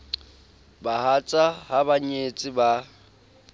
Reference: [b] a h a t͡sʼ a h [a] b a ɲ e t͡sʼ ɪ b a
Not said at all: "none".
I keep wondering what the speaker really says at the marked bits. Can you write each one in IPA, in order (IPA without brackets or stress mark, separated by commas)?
b, a